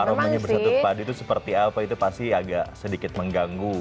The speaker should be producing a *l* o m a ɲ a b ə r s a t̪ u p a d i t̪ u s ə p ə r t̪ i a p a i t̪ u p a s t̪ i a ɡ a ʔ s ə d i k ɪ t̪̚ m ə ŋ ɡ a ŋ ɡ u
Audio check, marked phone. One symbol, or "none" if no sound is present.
ɾ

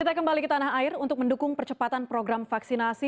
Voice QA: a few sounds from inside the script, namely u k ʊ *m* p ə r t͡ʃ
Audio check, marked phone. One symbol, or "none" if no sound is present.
ŋ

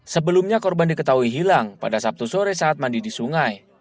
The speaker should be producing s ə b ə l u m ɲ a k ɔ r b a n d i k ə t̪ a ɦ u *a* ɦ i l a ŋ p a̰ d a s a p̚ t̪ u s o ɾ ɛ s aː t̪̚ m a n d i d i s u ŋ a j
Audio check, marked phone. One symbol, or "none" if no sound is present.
i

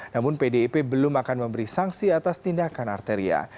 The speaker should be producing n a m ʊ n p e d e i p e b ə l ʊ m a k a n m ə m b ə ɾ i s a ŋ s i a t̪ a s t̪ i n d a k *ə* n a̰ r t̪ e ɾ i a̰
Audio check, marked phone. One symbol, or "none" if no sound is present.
a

